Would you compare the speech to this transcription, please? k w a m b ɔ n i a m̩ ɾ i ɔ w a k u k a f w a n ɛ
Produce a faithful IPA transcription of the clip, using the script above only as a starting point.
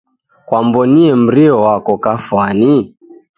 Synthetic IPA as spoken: k w a m b ɔ n i ɛ m̩ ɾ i ɔ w a k ɔ k a f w a n i